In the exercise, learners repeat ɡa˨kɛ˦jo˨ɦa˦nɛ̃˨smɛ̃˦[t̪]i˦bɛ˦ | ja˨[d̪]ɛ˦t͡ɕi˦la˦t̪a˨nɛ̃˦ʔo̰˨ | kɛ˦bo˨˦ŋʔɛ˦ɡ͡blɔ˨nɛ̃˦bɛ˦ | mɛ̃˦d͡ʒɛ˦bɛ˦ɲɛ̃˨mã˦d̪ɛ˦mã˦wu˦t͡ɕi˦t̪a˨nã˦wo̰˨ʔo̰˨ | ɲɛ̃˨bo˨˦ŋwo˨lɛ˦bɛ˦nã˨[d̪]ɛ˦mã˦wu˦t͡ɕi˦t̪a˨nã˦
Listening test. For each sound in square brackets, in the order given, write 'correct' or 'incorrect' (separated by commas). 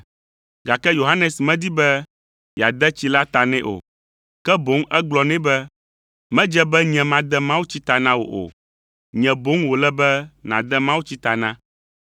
incorrect, correct, correct